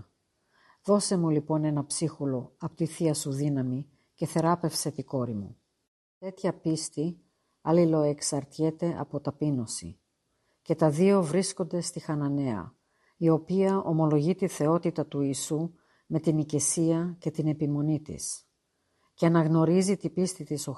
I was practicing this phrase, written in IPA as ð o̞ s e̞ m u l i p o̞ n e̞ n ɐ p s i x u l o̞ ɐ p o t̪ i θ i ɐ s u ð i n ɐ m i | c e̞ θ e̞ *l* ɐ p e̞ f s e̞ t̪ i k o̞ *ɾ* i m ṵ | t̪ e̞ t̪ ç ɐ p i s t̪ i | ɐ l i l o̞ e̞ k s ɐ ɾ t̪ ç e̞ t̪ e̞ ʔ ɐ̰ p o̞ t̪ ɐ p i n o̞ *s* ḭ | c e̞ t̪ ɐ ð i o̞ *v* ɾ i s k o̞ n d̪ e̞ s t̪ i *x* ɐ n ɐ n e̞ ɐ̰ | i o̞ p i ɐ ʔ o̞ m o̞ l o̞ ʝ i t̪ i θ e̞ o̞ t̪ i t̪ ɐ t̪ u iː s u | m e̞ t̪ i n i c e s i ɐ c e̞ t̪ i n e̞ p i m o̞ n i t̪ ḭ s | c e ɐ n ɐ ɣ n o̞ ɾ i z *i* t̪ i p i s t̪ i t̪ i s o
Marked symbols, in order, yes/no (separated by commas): no, yes, yes, yes, yes, yes